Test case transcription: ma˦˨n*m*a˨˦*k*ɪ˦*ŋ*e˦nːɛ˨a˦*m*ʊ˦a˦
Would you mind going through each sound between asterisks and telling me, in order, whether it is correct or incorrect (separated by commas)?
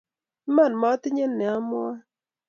correct, incorrect, incorrect, correct